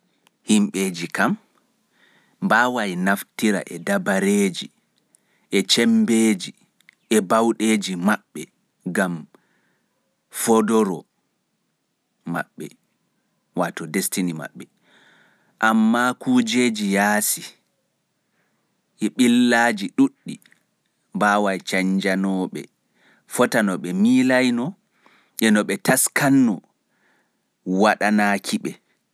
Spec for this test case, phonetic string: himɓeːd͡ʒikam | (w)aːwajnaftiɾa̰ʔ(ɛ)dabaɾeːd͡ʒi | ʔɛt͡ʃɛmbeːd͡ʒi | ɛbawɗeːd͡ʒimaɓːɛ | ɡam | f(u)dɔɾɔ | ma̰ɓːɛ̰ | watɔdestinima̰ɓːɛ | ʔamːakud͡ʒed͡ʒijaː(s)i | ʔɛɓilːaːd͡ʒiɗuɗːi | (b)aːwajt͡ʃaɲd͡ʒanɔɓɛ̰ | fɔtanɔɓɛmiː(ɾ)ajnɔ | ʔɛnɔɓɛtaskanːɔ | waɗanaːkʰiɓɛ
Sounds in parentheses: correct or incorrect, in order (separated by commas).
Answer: incorrect, correct, incorrect, correct, correct, incorrect